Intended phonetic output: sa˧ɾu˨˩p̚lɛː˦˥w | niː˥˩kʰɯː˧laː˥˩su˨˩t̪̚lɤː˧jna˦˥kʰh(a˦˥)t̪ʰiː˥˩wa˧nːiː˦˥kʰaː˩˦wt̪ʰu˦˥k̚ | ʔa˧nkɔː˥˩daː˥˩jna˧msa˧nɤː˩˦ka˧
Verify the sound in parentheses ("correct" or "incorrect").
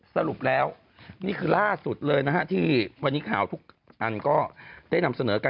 correct